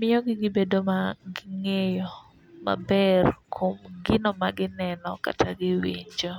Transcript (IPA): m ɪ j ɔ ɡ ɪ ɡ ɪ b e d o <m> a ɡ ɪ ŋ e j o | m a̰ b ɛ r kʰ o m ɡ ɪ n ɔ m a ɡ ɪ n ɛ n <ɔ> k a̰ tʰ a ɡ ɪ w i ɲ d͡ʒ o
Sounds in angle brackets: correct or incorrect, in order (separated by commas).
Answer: correct, correct